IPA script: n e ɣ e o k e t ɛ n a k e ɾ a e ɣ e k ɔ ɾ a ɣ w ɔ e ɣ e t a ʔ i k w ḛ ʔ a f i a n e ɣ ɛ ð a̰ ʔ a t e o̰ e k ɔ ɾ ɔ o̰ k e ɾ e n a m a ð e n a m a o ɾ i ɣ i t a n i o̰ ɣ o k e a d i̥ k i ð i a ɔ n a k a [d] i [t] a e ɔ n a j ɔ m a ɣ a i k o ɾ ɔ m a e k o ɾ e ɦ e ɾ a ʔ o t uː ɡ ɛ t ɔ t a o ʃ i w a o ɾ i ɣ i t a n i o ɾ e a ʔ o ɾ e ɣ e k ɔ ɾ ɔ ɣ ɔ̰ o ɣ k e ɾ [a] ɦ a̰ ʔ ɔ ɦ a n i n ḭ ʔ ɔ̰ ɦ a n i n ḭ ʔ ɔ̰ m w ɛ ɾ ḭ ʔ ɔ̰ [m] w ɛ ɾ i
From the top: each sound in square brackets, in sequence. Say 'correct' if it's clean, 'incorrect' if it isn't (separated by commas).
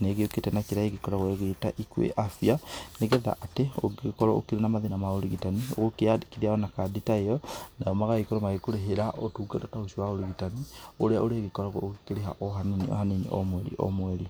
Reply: correct, correct, incorrect, correct